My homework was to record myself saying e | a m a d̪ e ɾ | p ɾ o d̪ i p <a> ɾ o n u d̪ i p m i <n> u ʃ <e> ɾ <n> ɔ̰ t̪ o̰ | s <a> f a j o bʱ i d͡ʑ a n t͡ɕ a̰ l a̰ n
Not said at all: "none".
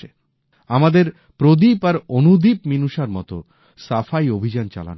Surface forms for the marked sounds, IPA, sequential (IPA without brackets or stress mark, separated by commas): a, n, a, m, a